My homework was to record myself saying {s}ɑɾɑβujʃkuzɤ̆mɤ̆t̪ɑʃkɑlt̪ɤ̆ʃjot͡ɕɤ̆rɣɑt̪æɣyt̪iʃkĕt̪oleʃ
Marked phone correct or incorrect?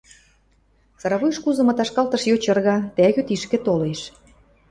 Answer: correct